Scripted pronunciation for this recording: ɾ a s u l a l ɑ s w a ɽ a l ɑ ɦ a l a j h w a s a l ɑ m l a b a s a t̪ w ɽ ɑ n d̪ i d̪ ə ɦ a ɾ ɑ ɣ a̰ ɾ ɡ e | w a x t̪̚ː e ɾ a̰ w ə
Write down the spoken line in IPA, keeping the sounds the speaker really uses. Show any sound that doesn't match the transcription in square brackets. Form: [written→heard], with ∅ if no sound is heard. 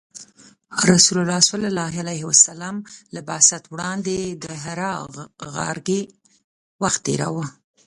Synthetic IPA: ɾ a s u l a l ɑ s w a [ɽ→l] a l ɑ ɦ a l a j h w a s a l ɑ m l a b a s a t̪ w ɽ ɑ n d̪ [i→e] d̪ ə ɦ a ɾ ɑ ɣ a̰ ɾ ɡ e | w a x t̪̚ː e ɾ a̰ w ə